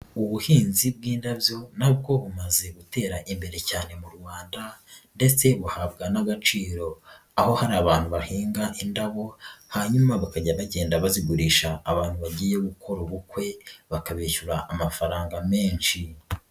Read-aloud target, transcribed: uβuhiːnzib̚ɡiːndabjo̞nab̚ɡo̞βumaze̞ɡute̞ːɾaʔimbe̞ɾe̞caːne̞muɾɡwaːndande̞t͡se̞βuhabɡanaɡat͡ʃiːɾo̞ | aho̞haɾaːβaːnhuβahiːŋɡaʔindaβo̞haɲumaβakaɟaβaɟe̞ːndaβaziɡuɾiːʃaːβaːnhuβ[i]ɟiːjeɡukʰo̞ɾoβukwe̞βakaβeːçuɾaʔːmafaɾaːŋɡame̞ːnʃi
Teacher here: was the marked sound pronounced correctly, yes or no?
no